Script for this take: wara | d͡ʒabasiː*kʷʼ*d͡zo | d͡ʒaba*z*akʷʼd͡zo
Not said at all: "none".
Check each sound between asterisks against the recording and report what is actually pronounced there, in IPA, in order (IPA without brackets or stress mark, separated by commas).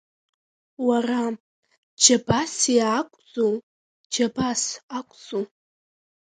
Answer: kʷʼ, s